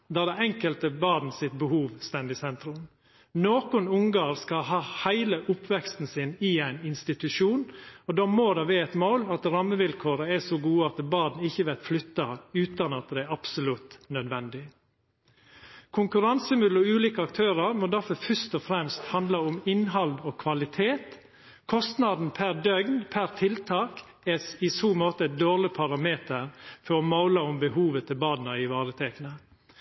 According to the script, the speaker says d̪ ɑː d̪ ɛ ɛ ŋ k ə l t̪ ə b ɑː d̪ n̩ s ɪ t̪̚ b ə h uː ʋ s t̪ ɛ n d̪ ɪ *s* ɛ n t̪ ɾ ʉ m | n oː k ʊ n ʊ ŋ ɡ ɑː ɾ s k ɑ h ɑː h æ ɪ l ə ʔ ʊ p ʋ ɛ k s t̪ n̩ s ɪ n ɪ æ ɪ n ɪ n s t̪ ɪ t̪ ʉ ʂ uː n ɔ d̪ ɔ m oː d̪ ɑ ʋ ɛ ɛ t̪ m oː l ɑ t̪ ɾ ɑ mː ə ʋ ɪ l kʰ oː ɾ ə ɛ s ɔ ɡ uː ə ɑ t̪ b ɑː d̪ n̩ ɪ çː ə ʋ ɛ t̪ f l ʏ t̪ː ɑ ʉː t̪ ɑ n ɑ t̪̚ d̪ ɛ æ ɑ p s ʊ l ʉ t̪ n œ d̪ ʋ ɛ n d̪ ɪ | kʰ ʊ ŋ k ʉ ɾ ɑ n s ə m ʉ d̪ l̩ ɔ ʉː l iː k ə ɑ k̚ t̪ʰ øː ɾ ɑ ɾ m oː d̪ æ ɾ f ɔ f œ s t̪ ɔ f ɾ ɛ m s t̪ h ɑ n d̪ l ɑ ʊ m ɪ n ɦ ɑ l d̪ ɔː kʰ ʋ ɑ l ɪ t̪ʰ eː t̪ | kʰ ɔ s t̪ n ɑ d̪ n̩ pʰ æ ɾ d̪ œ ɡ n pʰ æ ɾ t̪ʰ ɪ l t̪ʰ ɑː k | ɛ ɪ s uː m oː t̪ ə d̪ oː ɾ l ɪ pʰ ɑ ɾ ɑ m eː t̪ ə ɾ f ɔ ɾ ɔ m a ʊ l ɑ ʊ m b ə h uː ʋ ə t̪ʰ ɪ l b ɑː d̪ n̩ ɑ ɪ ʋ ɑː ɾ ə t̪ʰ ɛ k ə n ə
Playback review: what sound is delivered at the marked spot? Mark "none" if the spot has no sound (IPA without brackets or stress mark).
s